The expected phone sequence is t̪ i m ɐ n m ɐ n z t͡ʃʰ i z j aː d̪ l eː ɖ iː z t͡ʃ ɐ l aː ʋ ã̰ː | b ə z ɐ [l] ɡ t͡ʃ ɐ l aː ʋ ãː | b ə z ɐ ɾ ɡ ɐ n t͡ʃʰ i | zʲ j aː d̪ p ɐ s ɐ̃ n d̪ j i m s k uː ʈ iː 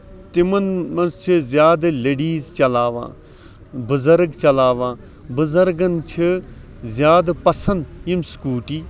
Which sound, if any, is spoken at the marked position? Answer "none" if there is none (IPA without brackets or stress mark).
ɾ